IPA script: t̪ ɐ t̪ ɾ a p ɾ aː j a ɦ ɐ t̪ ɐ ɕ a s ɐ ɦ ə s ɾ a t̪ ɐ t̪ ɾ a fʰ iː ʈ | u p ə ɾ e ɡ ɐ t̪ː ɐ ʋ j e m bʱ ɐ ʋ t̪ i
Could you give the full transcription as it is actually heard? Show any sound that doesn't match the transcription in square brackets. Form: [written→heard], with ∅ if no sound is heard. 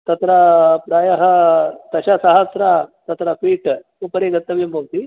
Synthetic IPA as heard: t̪ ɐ t̪ ɾ a p ɾ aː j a ɦ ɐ t̪ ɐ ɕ a s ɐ ɦ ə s ɾ a t̪ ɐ t̪ ɾ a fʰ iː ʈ | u p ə ɾ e ɡ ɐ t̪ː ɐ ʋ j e m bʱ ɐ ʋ t̪ i